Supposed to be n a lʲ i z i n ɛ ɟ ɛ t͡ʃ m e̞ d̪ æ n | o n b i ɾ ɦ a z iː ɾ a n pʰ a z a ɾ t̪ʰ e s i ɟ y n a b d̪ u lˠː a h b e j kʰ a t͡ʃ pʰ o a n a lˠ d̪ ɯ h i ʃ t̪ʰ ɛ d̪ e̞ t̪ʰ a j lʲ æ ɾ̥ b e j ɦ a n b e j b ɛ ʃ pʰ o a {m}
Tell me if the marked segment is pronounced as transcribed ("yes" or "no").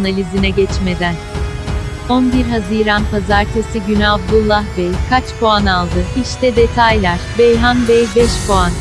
no